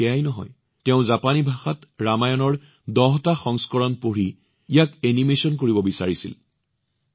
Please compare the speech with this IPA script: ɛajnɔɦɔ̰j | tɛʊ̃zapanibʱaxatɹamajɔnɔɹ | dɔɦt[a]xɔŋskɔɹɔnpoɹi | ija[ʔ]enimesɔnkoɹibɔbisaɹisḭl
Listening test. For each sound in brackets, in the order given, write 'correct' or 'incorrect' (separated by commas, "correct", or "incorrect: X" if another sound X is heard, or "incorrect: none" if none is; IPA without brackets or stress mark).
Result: correct, incorrect: k